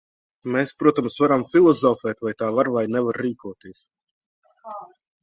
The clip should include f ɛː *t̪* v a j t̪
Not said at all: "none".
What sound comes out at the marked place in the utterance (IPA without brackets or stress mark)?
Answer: t̪